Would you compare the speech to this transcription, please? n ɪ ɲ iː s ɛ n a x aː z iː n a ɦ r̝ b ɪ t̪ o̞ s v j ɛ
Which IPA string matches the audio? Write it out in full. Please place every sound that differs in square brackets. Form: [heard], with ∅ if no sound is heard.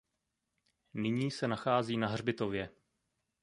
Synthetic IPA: n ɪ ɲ iː s ɛ n a x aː z iː n a ɦ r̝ b ɪ t̪ o̞ [∅] v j ɛ